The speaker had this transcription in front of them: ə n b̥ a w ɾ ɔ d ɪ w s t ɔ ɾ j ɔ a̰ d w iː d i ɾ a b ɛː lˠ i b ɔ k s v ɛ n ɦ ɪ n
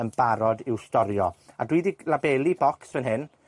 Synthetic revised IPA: ə n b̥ a ɾ ɔ d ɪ w s t ɔ ɾ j ɔ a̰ d w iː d i l a b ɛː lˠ i b ɔ k s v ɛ n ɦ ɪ n